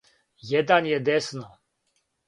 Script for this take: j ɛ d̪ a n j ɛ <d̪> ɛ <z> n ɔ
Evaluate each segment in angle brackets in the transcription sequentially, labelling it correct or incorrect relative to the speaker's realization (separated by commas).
correct, incorrect